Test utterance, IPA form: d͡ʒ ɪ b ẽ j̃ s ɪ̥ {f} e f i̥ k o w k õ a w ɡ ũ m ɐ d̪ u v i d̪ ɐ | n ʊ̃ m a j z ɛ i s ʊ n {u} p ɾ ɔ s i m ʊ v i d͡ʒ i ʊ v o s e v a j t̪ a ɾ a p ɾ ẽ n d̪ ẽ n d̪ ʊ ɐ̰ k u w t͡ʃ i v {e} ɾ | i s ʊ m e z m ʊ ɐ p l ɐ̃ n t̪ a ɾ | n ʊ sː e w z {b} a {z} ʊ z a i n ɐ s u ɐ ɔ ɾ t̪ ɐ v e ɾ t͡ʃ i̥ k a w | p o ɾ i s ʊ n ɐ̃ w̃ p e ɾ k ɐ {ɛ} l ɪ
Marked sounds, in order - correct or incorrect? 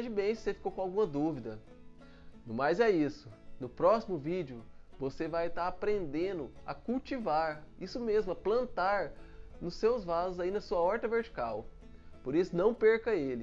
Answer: incorrect: s, incorrect: ʊ, incorrect: a, incorrect: v, correct, incorrect: e

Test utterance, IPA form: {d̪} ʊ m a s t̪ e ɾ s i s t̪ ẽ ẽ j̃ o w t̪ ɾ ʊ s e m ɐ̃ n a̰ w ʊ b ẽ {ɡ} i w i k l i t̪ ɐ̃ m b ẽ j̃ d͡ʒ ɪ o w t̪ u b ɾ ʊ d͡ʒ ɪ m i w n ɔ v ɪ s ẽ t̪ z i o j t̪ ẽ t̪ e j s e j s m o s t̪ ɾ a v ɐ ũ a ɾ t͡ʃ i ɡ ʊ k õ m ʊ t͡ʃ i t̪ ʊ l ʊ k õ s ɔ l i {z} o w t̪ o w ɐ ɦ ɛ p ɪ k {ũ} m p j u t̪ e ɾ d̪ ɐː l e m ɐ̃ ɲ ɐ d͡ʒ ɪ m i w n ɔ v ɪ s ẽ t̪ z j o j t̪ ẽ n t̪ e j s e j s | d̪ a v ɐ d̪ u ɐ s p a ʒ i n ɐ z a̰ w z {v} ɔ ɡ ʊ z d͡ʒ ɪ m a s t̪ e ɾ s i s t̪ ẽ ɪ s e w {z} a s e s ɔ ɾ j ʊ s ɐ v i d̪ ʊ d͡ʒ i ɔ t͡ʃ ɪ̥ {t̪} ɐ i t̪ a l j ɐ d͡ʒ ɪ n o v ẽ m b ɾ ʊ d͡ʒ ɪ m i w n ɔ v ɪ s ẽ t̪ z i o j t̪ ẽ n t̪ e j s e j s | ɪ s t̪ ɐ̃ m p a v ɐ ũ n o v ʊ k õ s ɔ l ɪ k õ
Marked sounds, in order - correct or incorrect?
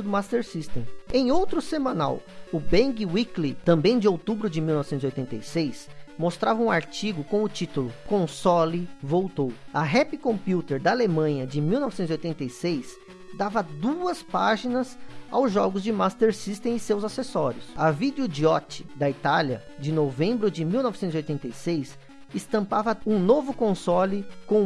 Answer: correct, correct, incorrect: v, incorrect: õ, incorrect: ʒ, correct, incorrect: d̪

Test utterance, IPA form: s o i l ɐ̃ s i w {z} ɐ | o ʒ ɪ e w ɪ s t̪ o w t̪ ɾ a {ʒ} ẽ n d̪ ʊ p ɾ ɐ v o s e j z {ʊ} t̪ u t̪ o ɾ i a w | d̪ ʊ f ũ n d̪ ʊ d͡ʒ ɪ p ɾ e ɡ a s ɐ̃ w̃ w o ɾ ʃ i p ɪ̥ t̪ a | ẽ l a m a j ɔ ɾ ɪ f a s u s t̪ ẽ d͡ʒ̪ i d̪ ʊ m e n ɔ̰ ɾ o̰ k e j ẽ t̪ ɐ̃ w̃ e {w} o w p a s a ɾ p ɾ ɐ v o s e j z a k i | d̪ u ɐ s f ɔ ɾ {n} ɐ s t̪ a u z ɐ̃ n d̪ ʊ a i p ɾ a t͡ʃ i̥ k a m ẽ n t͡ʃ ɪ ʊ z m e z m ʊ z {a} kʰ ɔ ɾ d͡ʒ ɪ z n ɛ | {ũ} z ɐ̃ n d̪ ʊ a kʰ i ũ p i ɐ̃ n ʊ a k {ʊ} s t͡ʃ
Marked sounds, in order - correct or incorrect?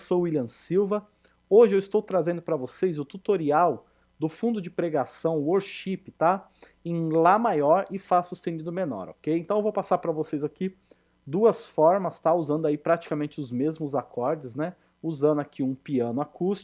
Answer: incorrect: v, incorrect: z, correct, incorrect: v, incorrect: m, correct, incorrect: u, incorrect: u

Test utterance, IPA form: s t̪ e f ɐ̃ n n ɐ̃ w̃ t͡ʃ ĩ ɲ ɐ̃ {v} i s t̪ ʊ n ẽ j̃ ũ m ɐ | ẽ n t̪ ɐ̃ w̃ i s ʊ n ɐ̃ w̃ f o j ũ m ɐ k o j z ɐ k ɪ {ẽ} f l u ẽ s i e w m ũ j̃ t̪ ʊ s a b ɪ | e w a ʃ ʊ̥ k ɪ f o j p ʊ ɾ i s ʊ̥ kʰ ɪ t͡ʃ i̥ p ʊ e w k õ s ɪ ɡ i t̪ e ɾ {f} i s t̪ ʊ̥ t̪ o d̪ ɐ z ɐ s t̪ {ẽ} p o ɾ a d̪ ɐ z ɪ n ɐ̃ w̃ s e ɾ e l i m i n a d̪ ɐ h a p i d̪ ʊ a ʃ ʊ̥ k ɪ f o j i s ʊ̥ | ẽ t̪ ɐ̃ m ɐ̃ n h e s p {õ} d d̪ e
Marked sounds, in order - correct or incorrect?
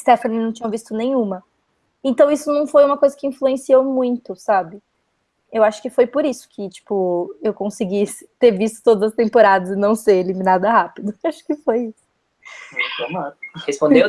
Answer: correct, incorrect: ĩ, incorrect: v, correct, correct

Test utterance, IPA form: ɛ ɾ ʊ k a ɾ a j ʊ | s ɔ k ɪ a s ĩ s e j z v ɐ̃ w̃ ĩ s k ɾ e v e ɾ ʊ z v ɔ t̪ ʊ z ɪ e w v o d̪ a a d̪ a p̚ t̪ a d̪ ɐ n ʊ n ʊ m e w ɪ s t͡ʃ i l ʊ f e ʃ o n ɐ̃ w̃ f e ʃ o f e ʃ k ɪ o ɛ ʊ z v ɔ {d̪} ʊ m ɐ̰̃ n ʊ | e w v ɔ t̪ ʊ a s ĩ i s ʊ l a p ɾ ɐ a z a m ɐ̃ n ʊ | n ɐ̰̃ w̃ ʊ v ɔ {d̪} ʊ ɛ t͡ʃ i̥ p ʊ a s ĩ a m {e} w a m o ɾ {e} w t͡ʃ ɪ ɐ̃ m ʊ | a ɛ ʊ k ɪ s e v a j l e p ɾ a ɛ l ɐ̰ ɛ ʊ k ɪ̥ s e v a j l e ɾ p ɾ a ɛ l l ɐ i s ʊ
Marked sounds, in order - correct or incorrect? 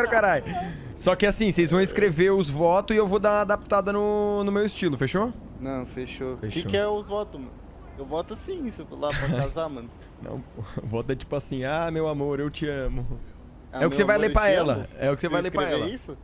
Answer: incorrect: t̪, incorrect: t̪, correct, correct

